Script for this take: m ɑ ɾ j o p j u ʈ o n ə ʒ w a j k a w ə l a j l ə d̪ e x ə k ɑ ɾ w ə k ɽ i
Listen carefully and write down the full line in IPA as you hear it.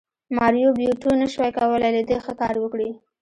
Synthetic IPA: m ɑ ɾ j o b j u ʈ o n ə ʃ w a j k a w ə l a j l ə d̪ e x ə k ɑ ɾ w ə k ɽ i